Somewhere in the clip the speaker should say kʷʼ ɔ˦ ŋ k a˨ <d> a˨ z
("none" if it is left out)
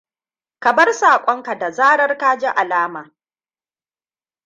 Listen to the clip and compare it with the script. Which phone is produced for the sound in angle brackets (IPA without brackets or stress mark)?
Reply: d